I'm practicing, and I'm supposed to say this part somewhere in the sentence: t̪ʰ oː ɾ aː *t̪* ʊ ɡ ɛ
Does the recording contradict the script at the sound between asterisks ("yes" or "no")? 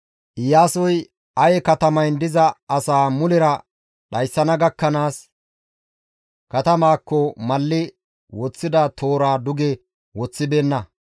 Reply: yes